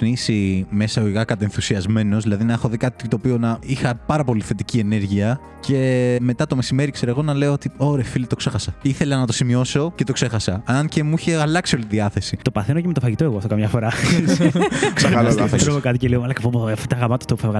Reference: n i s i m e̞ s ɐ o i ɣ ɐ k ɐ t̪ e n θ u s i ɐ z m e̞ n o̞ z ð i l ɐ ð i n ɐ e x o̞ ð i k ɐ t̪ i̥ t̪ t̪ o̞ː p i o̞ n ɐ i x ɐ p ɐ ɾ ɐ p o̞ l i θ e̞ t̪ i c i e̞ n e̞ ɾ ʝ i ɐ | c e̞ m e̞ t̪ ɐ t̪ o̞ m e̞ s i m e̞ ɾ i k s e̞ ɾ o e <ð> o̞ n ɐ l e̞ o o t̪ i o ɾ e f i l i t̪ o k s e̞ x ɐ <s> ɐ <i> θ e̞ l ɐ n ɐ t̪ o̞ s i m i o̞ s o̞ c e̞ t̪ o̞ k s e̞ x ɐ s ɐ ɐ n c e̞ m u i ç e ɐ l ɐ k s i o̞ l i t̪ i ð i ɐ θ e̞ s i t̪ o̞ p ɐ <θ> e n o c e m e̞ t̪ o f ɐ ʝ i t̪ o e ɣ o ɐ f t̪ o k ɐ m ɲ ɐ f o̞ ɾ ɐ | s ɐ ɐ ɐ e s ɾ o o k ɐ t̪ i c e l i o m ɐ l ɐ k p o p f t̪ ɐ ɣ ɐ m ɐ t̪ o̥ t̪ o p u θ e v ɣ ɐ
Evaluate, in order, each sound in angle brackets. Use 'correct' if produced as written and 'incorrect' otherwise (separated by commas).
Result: incorrect, correct, correct, correct